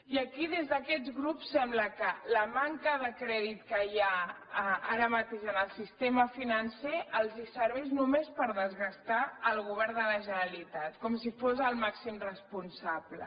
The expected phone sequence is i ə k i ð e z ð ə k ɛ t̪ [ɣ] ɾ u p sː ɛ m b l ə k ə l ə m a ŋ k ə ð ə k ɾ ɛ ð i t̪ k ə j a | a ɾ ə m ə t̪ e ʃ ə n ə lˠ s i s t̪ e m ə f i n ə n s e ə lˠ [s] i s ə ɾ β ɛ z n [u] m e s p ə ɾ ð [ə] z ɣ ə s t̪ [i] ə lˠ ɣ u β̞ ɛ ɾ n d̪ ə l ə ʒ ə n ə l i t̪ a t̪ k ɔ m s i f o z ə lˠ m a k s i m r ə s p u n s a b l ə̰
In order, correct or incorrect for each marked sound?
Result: correct, incorrect, correct, correct, incorrect

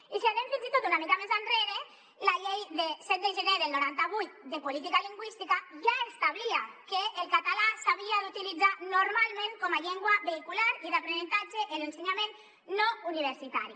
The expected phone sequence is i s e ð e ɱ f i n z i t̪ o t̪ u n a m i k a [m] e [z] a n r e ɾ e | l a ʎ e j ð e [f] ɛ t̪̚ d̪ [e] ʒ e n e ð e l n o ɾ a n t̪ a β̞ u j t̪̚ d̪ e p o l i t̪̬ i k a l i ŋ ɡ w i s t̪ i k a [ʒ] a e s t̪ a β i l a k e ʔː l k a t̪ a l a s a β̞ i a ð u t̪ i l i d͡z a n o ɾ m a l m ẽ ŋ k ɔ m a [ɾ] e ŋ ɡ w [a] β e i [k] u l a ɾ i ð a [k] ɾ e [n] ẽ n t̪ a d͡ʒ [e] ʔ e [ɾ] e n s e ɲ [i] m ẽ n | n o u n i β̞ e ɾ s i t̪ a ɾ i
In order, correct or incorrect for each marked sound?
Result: correct, correct, incorrect, correct, correct, incorrect, correct, correct, incorrect, correct, correct, incorrect, incorrect

